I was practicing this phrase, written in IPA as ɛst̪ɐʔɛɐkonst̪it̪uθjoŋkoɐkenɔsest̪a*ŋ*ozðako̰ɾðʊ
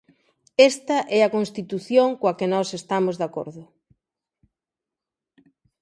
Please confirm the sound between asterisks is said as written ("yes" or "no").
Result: no